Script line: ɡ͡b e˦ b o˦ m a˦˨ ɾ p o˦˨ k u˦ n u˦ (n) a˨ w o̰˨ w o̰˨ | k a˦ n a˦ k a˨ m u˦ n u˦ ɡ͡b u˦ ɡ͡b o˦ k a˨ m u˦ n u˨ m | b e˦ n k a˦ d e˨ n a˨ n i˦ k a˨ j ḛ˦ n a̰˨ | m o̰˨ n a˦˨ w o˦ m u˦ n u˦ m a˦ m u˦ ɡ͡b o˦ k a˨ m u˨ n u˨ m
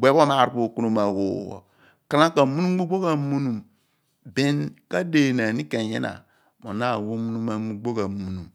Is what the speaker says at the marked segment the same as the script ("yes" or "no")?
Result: no